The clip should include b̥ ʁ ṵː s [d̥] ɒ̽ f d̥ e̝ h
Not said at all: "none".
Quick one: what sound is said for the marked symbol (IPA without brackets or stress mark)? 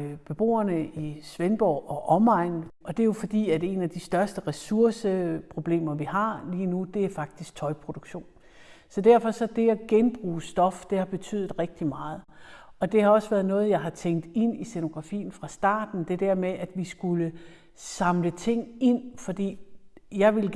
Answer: d̥